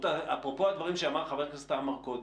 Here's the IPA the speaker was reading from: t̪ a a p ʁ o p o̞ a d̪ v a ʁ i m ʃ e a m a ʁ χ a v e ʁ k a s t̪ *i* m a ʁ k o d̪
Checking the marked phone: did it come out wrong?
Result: yes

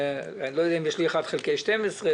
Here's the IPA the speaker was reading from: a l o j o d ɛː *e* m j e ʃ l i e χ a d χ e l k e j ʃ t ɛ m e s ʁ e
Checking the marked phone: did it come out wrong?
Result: yes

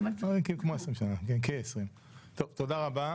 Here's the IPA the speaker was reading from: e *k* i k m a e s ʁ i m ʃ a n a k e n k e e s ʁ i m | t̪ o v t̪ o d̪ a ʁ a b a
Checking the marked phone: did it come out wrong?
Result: no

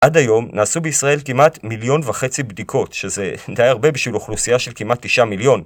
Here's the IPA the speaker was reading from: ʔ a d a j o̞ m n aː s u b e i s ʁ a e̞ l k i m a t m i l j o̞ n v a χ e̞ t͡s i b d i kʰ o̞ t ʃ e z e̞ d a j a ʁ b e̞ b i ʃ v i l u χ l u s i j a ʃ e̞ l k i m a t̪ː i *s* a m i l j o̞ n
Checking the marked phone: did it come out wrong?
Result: yes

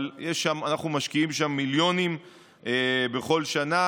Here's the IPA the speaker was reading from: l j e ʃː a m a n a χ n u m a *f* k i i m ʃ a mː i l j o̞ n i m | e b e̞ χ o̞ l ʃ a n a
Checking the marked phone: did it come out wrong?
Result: yes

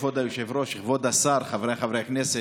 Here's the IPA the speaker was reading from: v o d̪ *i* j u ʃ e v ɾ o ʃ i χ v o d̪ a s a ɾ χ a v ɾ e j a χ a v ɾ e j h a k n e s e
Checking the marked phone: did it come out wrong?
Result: yes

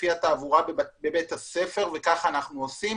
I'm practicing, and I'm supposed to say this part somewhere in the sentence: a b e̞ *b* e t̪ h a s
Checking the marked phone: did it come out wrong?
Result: no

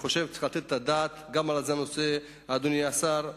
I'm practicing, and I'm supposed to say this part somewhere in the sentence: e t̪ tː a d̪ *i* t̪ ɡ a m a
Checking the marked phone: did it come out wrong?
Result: yes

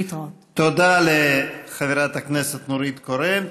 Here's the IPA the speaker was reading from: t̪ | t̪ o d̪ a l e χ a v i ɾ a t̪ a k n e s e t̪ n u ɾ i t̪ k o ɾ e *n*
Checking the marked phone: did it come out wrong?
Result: yes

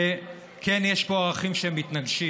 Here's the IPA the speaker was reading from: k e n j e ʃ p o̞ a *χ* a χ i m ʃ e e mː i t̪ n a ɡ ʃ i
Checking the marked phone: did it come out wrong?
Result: yes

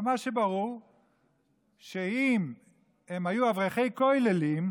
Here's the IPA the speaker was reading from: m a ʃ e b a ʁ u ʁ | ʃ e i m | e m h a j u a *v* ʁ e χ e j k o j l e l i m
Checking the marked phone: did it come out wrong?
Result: no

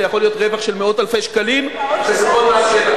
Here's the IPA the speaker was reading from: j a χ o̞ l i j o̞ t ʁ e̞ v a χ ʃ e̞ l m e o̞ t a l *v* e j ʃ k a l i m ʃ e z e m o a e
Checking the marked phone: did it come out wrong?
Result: yes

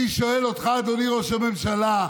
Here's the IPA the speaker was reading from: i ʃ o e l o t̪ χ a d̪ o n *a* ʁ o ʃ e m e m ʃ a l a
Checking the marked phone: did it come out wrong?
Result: yes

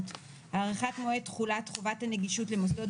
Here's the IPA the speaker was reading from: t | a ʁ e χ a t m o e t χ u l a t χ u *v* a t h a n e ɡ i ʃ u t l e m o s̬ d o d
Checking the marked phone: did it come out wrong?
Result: no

